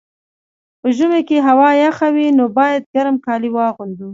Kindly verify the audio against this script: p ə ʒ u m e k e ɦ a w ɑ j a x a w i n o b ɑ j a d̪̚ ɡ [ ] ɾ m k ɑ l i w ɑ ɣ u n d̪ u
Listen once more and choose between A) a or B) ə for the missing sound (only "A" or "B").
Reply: A